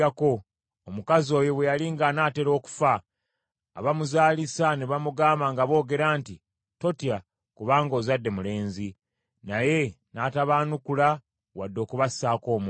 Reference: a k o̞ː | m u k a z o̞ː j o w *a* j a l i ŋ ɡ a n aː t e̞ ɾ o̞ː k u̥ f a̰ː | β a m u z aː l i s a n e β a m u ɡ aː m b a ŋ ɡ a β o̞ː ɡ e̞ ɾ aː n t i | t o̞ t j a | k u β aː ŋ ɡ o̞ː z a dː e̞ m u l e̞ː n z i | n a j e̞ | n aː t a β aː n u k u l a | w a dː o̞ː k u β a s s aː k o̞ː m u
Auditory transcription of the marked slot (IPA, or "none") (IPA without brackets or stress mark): e